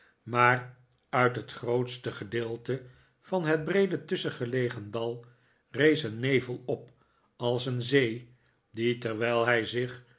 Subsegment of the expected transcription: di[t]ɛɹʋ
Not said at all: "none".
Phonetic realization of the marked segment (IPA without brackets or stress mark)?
t